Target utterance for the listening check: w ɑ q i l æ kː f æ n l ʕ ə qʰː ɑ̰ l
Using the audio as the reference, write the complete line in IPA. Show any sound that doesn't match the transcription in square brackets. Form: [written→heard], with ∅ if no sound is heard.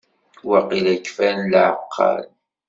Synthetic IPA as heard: w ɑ q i l æ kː f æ n l ʕ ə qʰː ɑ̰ l